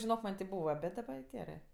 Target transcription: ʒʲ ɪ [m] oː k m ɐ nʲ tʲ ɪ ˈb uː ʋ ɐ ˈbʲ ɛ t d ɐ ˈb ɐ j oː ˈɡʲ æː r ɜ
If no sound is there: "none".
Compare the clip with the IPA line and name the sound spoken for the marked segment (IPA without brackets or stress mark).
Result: n